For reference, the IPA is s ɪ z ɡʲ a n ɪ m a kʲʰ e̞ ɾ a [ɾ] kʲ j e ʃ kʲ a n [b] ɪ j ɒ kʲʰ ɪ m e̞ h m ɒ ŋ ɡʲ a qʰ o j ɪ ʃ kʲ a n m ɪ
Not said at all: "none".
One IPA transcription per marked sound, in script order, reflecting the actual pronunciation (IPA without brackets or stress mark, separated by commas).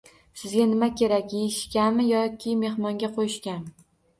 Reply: none, m